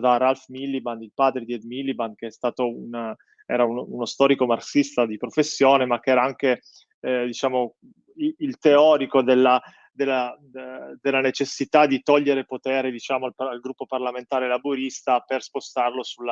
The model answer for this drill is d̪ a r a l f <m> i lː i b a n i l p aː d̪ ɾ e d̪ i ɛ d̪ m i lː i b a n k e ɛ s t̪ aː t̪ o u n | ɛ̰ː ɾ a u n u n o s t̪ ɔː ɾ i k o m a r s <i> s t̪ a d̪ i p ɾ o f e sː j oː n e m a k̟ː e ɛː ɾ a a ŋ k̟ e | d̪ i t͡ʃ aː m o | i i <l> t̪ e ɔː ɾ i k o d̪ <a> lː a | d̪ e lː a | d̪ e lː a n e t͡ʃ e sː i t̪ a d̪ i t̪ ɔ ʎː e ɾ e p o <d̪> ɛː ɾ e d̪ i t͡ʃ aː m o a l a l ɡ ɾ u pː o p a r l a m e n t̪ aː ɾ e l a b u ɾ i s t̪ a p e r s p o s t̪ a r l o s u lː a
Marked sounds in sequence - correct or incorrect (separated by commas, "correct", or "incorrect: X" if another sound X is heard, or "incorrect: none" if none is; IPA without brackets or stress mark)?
correct, correct, correct, incorrect: e, incorrect: t̪